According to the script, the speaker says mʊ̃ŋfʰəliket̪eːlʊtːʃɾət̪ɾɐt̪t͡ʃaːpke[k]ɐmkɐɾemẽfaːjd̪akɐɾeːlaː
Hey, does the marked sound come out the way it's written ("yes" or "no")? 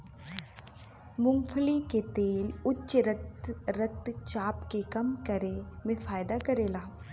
yes